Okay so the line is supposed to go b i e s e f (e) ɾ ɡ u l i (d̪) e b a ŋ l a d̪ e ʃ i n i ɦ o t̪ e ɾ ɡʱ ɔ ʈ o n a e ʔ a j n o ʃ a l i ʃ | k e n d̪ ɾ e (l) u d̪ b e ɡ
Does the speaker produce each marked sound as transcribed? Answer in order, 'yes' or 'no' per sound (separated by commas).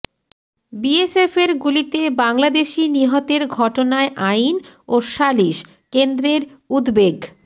yes, no, no